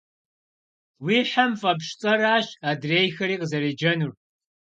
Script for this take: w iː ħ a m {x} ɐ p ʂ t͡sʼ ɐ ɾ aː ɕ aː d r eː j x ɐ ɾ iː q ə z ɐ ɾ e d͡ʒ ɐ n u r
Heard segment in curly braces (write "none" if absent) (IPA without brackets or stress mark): f